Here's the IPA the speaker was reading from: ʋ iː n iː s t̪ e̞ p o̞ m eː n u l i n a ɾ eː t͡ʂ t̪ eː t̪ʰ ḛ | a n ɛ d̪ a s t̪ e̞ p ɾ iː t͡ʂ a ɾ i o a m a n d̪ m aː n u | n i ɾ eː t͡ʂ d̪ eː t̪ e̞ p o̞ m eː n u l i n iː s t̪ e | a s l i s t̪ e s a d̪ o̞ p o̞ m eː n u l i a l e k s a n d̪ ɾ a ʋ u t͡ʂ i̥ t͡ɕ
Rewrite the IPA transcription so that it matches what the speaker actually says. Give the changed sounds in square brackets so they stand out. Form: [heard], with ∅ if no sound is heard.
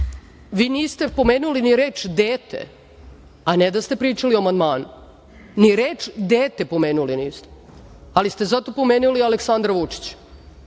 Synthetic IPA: ʋ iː n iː s t̪ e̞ p o̞ m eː n u l i n [i] ɾ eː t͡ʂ [d̪] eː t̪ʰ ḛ | a n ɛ d̪ a s t̪ e̞ p ɾ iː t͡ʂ a [l] i o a m a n d̪ m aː n u | n i ɾ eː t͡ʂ d̪ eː t̪ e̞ p o̞ m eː n u l i n iː s t̪ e | a [∅] l i s t̪ e [z] a [t̪] o̞ p o̞ m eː n u l i a l e k s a n d̪ ɾ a ʋ u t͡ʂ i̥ t͡ɕ